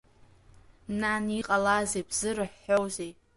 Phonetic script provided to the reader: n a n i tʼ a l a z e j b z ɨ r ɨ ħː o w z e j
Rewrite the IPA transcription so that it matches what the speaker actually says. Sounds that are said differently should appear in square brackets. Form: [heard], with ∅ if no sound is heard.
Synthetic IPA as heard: n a n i [qʼ] a l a z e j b z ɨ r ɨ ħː o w z e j